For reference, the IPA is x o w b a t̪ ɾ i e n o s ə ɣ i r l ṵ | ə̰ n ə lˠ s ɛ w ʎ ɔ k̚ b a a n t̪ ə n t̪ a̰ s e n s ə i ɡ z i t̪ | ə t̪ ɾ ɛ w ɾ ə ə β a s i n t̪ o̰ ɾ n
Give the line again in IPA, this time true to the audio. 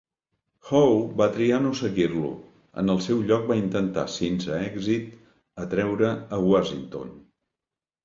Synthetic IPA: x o w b a t̪ ɾ i a n o s ə ɣ i r l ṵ | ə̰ n ə lˠ s ɛ w ʎ ɔ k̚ b a i n t̪ ə n t̪ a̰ s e n s ə ɛ ɡ z i t̪ | ə t̪ ɾ ɛ w ɾ ə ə w a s i n t̪ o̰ n